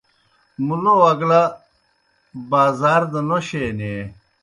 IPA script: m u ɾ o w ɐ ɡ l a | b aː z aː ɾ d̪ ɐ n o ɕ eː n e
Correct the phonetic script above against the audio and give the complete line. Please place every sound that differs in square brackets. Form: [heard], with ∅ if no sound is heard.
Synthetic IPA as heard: m u [l] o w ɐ ɡ l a | b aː z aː ɾ d̪ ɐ n o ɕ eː n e